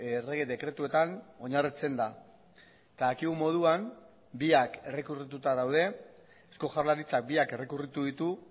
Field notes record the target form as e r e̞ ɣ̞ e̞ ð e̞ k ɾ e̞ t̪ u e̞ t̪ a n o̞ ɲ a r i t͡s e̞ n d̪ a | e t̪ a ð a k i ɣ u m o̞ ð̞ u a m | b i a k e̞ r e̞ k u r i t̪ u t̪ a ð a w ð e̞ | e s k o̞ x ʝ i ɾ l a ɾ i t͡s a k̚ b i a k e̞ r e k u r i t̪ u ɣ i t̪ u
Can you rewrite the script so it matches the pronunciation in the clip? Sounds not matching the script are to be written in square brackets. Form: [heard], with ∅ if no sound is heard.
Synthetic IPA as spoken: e r e̞ ɣ̞ e̞ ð e̞ k ɾ e̞ t̪ u e̞ t̪ a n o̞ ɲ a r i t͡s e̞ n d̪ a | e t̪ a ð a k i ɣ u m o̞ ð̞ u a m | b i a k e̞ r e̞ k u r i t̪ u t̪ a ð a w ð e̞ | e s k o̞ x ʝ [a] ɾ l a ɾ i t͡s a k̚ b i a k e̞ r e k u r i t̪ u [ð] i t̪ u